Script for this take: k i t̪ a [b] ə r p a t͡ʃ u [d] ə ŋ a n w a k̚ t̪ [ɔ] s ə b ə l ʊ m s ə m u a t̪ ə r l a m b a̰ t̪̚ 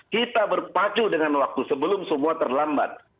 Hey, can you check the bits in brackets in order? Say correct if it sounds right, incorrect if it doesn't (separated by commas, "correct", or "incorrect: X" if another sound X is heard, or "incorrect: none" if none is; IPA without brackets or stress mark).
correct, correct, incorrect: u